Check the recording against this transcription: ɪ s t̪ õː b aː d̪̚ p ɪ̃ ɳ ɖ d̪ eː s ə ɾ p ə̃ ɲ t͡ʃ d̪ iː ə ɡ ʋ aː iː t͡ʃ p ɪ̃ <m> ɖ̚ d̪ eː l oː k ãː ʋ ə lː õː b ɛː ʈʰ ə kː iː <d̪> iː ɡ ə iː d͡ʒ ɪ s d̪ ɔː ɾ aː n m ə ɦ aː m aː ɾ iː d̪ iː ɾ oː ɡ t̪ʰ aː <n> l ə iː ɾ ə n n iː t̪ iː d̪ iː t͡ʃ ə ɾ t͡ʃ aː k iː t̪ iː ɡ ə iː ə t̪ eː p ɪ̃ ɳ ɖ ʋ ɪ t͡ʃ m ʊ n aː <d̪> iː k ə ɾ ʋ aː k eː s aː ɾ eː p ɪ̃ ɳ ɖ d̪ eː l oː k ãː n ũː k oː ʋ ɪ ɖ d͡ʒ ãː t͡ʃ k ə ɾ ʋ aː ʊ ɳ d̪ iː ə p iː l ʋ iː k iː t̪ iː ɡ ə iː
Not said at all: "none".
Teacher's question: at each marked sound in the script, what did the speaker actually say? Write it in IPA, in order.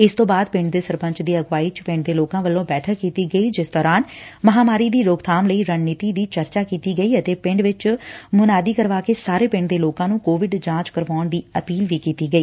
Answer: ɳ, t̪, m, d̪

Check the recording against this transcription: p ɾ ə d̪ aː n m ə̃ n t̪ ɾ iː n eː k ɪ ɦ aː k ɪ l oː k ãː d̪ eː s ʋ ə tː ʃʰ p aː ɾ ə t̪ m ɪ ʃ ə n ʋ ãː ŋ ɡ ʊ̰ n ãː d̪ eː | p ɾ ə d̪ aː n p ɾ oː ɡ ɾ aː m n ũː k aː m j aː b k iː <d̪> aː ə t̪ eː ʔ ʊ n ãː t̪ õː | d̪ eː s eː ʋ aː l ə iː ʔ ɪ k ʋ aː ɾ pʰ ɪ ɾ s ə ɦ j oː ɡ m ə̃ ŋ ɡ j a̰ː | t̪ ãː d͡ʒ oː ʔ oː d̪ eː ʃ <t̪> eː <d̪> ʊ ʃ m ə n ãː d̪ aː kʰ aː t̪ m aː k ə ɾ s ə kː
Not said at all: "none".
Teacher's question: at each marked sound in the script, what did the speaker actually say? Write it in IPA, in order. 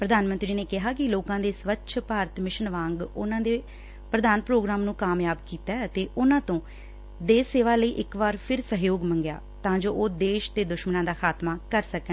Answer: t̪, t̪, d̪

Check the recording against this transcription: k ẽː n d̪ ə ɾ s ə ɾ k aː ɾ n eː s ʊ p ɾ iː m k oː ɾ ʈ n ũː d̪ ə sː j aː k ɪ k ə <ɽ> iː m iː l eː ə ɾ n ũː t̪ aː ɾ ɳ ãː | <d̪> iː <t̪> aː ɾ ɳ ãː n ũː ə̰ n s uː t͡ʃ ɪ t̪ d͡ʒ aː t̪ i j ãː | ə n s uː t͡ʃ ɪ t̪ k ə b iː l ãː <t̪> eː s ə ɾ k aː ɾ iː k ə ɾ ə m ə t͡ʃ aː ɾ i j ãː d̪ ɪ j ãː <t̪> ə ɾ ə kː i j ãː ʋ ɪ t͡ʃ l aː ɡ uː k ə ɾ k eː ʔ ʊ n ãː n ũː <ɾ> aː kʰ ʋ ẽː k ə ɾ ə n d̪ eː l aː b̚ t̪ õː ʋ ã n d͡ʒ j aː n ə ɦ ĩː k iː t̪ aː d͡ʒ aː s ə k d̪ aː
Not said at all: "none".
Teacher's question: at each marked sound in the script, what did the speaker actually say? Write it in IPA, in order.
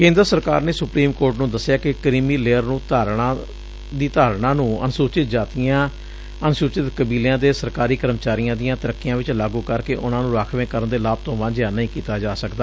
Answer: ɾ, d̪, t̪, d̪, t̪, ɾ

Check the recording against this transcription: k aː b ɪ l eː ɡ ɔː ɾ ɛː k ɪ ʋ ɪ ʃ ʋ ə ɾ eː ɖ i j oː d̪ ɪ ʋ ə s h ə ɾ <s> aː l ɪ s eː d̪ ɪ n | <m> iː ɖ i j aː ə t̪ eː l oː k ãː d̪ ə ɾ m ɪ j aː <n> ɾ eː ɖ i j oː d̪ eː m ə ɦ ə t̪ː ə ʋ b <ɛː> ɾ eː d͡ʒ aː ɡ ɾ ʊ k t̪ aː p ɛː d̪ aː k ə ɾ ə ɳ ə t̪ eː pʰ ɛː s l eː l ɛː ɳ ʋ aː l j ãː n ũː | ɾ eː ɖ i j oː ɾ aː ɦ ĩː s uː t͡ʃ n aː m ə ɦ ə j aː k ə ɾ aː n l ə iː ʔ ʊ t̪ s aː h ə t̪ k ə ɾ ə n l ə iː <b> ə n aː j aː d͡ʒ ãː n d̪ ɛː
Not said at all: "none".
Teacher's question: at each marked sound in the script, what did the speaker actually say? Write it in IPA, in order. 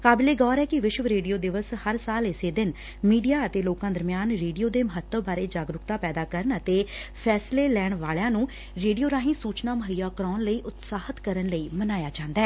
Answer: s, m, n, aː, m

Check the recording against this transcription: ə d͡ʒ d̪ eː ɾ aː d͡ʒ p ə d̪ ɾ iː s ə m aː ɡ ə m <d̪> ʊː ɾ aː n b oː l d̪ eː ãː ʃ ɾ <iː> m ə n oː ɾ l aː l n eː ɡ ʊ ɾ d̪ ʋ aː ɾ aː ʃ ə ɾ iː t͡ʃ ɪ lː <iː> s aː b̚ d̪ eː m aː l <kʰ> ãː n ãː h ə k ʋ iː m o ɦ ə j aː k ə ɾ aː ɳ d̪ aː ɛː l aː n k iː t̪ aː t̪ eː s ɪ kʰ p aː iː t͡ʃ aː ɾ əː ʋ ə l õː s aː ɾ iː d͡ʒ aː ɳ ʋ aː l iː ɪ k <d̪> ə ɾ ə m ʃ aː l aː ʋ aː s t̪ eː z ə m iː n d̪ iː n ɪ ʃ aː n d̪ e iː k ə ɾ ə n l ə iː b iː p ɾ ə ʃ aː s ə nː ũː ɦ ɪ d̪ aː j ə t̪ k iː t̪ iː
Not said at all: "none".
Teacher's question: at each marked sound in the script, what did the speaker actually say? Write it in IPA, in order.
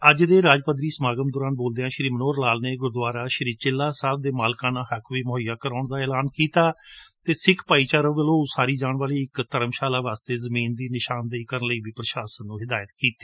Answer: d̪, iː, aː, k, t̪

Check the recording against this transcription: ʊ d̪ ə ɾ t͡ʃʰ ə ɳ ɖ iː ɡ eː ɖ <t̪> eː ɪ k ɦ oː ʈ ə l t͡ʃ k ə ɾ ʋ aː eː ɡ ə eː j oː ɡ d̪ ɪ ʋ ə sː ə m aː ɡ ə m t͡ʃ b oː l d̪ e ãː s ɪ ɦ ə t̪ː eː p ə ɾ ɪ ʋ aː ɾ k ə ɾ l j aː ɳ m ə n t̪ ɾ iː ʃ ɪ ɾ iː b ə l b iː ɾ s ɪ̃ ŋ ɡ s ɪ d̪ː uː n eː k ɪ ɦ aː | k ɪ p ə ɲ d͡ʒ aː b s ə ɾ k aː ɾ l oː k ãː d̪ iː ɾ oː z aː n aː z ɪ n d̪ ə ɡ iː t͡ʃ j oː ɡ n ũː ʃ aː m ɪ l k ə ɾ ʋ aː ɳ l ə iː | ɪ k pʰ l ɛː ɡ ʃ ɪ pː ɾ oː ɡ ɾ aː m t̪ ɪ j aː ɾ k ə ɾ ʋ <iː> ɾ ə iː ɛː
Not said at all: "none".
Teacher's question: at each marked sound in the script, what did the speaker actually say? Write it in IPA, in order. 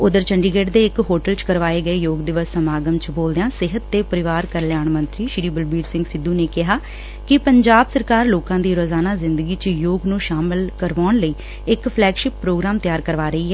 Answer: d̪, aː

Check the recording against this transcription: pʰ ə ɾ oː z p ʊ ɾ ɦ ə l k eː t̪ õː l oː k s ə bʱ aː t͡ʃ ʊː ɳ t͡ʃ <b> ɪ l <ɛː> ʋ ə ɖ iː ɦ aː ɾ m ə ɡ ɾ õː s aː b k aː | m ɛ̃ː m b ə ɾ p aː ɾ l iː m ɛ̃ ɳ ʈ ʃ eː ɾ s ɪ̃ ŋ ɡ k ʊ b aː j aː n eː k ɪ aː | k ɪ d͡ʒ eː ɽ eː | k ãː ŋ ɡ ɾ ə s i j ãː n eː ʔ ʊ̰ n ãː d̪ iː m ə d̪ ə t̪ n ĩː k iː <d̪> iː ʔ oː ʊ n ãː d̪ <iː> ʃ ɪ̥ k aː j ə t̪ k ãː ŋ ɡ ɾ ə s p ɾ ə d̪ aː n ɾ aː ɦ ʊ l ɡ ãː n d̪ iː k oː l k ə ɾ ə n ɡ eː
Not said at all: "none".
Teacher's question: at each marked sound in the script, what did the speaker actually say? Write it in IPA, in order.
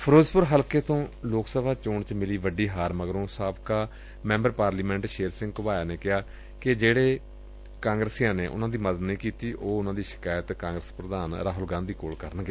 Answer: m, iː, t̪, iː

